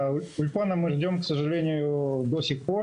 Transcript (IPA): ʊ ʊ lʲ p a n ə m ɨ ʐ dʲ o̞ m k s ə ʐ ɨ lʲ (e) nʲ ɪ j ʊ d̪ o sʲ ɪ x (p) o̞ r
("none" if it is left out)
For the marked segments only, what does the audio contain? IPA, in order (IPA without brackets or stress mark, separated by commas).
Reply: e, p